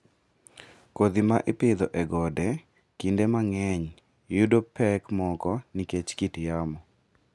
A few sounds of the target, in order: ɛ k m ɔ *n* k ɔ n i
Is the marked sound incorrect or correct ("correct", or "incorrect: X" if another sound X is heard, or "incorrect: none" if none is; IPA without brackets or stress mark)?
incorrect: none